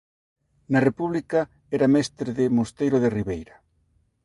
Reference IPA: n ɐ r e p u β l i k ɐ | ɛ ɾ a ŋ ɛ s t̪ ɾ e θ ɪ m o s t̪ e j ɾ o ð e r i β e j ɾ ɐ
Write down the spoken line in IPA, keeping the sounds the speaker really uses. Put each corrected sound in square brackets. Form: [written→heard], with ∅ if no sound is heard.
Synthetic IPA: n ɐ r e p u β l i k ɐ | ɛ ɾ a [ŋ→m] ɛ s t̪ ɾ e [θ→ð] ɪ m o s t̪ e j ɾ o ð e r i β e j ɾ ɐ